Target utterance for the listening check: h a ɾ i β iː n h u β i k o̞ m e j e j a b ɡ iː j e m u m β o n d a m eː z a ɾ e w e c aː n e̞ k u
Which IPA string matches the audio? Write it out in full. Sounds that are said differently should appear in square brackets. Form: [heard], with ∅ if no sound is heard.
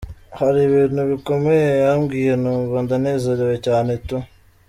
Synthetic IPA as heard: h a ɾ i β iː n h u β i k o̞ m e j e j a [m] ɡ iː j e [n] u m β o n d a [n] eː z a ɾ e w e c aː n e̞ [t] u